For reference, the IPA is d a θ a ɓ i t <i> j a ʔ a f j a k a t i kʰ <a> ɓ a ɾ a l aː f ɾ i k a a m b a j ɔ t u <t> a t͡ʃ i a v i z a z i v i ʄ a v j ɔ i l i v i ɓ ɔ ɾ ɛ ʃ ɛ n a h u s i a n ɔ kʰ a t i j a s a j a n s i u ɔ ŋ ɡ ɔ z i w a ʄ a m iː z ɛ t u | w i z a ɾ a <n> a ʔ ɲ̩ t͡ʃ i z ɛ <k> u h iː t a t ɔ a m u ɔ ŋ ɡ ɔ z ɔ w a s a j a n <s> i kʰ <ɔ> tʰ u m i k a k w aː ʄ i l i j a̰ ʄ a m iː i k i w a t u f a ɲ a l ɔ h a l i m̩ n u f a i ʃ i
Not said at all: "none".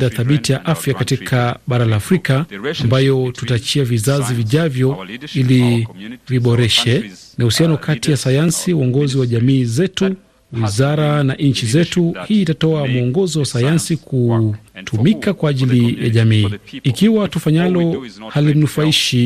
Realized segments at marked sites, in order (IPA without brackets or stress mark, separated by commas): i, a, t, n, t, s, u